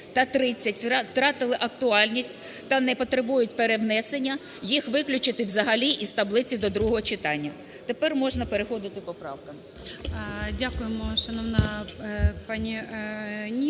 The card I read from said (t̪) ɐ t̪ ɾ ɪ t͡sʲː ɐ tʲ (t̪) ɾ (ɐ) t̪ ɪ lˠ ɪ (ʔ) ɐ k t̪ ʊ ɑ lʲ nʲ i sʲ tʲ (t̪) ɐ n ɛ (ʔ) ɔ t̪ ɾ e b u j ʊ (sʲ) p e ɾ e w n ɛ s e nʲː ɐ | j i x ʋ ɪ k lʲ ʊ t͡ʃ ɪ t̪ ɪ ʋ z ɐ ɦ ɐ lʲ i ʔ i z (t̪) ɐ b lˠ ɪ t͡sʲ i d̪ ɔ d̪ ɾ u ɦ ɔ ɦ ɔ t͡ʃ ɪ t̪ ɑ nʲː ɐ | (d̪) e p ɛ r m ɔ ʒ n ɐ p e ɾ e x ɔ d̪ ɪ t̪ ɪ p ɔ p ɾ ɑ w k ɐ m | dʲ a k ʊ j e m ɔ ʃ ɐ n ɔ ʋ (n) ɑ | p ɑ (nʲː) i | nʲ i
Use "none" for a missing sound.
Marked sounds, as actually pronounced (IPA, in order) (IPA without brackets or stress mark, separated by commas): t̪, t̪, ɑ, ʔ, t̪, p, tʲ, t̪, t̪, n, nʲ